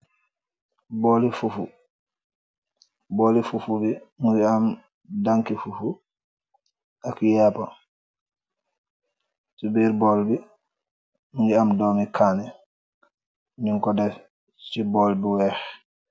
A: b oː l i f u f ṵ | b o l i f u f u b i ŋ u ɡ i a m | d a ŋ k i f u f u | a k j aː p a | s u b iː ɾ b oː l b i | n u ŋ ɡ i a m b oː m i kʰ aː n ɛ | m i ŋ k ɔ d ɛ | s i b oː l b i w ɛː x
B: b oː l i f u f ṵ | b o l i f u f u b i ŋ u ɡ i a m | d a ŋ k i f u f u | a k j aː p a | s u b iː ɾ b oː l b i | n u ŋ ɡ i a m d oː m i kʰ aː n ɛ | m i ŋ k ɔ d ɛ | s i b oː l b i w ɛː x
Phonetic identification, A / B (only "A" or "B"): B